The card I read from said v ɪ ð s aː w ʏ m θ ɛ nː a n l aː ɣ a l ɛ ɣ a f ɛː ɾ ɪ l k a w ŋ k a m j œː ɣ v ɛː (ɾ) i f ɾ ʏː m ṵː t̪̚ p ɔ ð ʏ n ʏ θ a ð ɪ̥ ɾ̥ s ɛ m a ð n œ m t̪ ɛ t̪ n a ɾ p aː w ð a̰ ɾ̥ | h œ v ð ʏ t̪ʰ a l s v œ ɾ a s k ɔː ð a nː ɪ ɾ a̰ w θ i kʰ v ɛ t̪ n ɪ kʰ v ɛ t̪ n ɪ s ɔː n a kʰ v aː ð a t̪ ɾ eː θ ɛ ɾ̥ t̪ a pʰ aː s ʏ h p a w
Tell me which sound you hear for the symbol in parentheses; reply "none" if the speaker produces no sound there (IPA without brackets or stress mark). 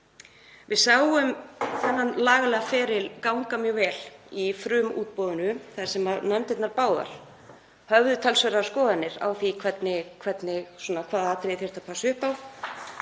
l